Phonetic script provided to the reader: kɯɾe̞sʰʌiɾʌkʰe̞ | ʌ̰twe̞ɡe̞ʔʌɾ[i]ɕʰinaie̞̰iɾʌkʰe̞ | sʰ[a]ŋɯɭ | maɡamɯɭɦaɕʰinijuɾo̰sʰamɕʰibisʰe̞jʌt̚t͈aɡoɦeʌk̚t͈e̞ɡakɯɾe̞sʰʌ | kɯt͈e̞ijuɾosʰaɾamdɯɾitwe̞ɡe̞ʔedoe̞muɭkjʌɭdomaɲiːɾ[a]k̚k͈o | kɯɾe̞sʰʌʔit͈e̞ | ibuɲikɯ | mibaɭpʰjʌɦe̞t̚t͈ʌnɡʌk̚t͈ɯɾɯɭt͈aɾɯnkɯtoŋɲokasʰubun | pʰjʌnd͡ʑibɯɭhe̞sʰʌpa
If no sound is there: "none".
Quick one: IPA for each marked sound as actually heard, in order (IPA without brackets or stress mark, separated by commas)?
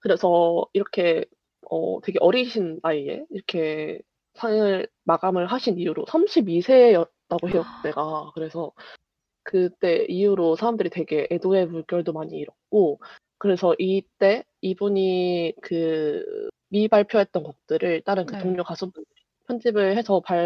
i, a, ʌ